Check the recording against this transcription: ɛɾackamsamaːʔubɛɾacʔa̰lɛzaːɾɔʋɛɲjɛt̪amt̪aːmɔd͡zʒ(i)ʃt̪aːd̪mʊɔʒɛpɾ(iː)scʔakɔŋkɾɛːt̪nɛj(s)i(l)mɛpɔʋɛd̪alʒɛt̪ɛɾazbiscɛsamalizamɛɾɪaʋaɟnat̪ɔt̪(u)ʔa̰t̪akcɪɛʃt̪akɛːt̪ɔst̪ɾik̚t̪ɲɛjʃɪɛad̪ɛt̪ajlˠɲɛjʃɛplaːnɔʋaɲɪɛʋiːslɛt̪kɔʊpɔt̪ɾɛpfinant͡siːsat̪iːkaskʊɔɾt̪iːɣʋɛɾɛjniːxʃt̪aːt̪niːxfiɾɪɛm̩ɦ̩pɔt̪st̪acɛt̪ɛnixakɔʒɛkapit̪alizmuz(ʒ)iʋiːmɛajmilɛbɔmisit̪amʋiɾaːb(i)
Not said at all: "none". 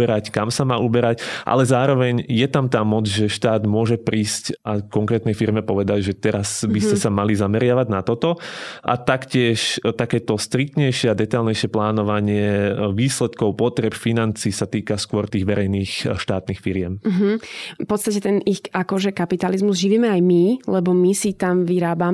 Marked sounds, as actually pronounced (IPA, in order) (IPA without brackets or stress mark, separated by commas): ɛ, iː, f, ɾ, ɔ, ʒ, a